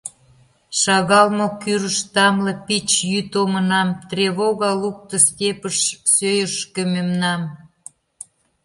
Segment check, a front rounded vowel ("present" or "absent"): present